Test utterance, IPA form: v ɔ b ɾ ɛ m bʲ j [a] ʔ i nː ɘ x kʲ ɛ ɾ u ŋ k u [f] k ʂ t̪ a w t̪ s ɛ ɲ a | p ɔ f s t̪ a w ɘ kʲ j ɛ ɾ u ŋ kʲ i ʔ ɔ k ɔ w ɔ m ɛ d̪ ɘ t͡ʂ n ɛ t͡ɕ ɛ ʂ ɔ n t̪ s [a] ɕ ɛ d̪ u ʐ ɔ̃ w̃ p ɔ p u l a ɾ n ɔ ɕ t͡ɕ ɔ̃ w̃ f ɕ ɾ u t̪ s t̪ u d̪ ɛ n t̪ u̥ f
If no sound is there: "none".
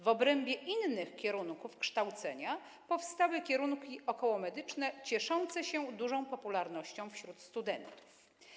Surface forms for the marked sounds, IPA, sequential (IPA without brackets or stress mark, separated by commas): ɛ, f, ɛ